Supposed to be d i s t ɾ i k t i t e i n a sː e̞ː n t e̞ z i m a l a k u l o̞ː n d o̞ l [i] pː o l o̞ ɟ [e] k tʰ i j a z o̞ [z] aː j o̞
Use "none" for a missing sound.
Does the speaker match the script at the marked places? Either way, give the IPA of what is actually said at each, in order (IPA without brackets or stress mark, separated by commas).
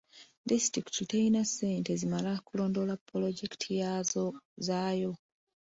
a, e, z